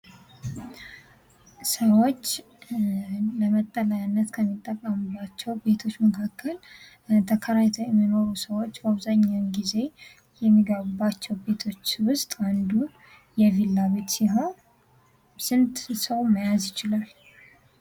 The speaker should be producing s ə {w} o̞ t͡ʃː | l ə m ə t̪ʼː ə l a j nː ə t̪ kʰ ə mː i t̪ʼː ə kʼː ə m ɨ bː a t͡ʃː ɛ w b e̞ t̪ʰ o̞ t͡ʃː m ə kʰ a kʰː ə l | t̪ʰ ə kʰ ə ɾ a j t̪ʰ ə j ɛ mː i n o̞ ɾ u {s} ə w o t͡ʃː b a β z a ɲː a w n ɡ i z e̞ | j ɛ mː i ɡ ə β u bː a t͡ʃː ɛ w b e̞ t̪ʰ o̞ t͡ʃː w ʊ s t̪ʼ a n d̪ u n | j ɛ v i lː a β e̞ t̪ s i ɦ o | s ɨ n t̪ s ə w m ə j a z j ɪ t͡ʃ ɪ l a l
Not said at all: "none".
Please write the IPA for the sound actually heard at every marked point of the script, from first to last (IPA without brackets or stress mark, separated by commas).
w, s